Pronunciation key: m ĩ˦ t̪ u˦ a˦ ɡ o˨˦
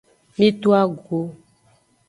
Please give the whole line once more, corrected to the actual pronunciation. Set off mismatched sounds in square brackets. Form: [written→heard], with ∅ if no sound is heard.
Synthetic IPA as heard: m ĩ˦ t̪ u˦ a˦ ɡ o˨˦